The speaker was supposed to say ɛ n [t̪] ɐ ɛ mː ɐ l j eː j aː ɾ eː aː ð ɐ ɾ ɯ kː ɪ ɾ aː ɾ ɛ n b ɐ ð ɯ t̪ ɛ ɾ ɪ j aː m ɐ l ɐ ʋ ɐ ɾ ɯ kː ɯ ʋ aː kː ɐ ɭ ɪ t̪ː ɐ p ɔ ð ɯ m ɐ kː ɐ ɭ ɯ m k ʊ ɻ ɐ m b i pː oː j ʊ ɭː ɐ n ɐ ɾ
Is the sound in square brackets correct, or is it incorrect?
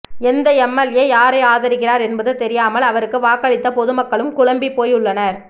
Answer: incorrect